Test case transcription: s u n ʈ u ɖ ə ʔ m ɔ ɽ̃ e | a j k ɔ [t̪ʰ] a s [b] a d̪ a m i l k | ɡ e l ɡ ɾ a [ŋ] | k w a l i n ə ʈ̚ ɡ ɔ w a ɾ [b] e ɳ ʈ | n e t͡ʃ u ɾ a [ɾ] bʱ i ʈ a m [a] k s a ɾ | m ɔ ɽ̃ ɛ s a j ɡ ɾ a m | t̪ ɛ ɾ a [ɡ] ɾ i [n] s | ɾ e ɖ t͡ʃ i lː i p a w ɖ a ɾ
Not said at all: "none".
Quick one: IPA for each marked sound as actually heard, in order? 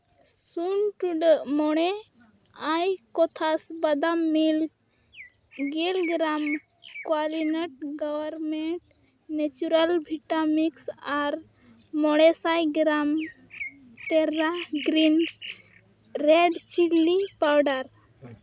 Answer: t̪ʰ, b, m, m, l, i, ɡ, n

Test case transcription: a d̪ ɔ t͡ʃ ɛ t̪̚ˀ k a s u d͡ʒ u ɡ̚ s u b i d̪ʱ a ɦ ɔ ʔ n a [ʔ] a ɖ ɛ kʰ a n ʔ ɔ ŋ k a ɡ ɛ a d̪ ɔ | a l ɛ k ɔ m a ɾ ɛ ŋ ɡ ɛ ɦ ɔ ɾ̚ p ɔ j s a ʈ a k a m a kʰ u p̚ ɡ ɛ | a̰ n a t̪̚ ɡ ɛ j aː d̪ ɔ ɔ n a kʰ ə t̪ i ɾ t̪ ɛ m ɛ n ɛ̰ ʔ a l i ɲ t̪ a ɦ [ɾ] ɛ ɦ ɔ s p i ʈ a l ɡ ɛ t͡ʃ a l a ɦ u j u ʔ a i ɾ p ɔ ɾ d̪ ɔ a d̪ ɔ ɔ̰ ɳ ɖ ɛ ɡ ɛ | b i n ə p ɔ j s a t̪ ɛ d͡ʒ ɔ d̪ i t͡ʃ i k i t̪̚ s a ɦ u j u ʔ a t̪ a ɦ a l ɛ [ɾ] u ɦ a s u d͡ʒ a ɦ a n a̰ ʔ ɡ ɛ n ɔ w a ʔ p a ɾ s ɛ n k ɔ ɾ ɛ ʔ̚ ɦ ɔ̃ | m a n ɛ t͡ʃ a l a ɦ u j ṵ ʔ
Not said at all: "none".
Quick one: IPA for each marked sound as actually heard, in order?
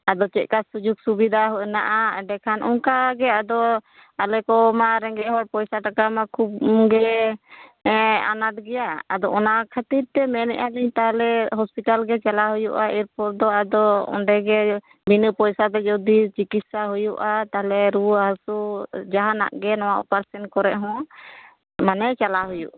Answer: ʔ, l, ɾ

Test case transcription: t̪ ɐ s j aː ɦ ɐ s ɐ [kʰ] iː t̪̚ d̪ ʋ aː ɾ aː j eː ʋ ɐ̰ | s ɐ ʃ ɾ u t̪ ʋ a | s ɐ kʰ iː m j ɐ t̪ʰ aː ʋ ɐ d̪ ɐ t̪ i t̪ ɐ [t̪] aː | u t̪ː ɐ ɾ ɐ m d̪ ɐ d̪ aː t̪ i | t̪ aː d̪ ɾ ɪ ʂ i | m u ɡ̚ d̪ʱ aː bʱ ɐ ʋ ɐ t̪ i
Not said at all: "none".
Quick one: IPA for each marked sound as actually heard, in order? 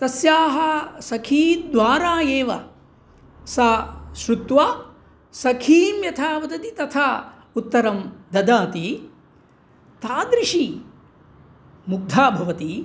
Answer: kʰ, t̪ʰ

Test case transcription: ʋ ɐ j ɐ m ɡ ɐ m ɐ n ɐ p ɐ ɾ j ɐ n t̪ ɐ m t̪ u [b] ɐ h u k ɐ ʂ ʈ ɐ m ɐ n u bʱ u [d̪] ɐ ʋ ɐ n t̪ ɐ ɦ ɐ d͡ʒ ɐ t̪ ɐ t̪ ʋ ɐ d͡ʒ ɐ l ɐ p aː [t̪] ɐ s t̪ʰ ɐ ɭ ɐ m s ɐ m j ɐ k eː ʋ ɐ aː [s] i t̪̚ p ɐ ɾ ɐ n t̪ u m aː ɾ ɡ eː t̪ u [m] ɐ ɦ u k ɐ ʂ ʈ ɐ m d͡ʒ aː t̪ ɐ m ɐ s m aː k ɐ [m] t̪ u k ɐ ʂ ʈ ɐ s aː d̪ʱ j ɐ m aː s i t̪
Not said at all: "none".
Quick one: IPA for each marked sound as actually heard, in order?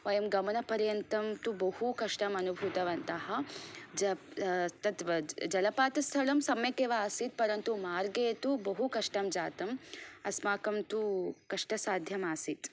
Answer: b, t̪, t̪, s, b, m

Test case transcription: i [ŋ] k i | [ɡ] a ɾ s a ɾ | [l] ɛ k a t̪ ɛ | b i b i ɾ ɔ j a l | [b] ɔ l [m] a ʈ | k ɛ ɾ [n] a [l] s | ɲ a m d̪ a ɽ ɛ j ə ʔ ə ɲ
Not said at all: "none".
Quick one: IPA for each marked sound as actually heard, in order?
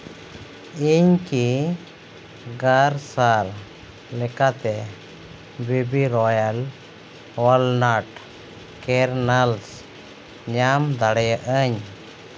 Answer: ɲ, ɡ, l, w, n, n, l

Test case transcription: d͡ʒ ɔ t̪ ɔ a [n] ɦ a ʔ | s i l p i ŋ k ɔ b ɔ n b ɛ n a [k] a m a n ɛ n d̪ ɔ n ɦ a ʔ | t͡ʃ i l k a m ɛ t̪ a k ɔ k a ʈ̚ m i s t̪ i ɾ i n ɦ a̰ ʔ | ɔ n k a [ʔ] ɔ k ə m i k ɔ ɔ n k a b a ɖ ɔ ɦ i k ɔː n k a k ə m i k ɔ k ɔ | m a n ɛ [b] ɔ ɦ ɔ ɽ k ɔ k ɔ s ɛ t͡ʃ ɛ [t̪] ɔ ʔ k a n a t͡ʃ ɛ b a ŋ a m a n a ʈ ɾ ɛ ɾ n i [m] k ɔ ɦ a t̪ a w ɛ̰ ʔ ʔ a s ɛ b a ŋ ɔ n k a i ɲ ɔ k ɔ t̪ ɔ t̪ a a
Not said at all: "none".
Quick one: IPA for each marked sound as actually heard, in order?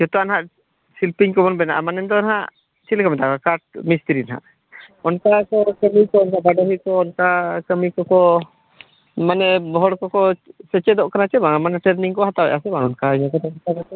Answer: n, ʔ, k, b, d̪, ŋ

